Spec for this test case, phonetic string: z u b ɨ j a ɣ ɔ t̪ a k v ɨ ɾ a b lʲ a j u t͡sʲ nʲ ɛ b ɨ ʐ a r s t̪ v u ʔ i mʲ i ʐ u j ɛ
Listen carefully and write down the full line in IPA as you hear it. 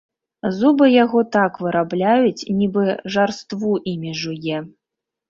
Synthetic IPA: z u b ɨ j a ɣ ɔ t̪ a k v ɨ ɾ a b lʲ a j u t͡sʲ nʲ i b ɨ ʐ a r s t̪ v u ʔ i mʲ i ʐ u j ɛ